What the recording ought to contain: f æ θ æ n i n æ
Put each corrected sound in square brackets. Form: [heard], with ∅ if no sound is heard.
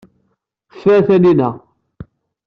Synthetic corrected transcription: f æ θ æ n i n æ